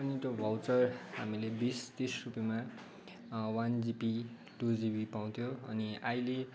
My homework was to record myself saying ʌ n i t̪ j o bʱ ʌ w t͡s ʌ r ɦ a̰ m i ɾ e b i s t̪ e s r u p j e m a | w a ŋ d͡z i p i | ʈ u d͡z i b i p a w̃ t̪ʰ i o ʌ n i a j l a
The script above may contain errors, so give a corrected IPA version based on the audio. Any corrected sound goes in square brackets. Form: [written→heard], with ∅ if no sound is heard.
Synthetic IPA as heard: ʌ n i t̪ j o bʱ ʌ w t͡s ʌ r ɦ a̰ m i [ɾ→l] e b i s t̪ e s r u p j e m a | w a [ŋ→n] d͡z i p i | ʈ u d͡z i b i p a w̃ t̪ʰ [i→j] o ʌ n i a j l [a→e]

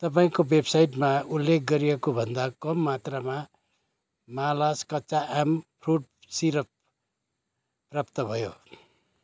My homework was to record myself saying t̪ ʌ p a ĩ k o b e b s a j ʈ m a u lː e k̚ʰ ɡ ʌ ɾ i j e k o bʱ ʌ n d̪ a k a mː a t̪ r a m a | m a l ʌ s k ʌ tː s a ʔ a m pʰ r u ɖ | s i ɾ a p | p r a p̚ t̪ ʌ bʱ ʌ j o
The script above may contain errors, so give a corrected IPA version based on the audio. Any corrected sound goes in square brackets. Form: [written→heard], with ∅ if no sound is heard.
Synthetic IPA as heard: t̪ ʌ p a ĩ k o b e b s a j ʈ m a u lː e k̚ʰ ɡ ʌ ɾ i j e k o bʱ ʌ n d̪ a k [a→ʌ] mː a t̪ r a m a | m a l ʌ s k ʌ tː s a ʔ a m pʰ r u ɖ | s i ɾ [a→ʌ] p | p r a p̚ t̪ ʌ bʱ ʌ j o

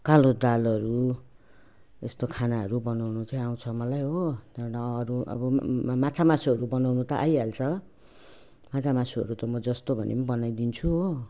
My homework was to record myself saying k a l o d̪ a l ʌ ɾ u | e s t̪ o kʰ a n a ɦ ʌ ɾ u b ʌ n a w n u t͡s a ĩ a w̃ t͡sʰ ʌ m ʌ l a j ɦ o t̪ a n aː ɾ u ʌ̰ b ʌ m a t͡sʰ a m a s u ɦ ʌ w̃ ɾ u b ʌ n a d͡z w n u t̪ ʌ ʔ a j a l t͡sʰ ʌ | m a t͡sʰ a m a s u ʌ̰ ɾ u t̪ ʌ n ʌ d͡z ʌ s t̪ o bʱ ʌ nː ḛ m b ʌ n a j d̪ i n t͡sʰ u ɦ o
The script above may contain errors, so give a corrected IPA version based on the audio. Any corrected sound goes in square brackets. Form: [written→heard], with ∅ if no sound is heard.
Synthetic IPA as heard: k a l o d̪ a l ʌ ɾ u | e s t̪ o kʰ a n a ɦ ʌ ɾ u b ʌ n a w n u t͡s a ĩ a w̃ t͡sʰ ʌ m ʌ l a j ɦ o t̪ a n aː ɾ u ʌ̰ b ʌ m a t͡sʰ a m a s u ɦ ʌ [w̃→∅] ɾ u b ʌ n a [d͡z→∅] w n u t̪ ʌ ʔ a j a l t͡sʰ ʌ | m a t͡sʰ a m a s u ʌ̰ ɾ u t̪ ʌ [n→m] ʌ d͡z ʌ s t̪ o bʱ ʌ [nː→n] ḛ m b ʌ n a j d̪ i n t͡sʰ u ɦ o

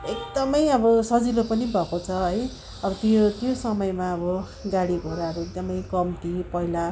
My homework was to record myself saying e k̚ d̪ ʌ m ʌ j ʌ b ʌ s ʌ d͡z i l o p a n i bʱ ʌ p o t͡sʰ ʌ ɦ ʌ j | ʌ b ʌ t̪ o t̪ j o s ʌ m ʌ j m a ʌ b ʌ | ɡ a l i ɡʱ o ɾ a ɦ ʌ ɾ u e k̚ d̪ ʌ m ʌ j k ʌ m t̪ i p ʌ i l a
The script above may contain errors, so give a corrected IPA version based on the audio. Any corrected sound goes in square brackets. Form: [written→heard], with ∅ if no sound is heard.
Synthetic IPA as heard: e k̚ d̪ ʌ m ʌ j ʌ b ʌ s ʌ d͡z i l o p [a→ʌ] n i bʱ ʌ [p→k] o t͡sʰ ʌ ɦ ʌ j | ʌ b ʌ t̪ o t̪ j o s ʌ m ʌ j m a ʌ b ʌ | ɡ a [l→ɽ] i ɡʱ o ɾ a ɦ ʌ ɾ u e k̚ d̪ ʌ m ʌ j k ʌ m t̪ i p ʌ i l a

